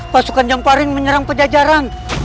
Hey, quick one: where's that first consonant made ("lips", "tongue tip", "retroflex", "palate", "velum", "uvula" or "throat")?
lips